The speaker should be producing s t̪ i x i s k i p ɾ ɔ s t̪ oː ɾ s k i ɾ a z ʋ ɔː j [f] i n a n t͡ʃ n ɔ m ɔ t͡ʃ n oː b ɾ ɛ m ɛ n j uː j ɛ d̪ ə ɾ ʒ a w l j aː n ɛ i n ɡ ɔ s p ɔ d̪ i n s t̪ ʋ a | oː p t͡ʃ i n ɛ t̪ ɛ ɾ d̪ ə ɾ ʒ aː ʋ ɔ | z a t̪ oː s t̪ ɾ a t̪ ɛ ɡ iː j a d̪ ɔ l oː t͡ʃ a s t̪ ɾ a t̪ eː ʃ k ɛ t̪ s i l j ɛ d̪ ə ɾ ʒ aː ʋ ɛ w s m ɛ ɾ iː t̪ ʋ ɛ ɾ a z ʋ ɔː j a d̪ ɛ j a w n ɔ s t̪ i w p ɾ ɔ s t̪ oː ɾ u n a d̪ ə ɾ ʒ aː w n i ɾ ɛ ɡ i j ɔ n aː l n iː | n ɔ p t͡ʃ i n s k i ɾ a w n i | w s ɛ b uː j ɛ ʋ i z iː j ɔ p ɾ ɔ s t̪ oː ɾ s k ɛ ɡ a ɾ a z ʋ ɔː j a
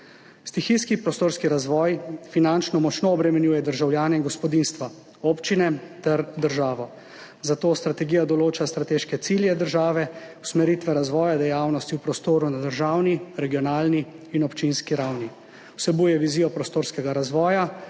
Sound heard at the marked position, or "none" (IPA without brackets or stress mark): f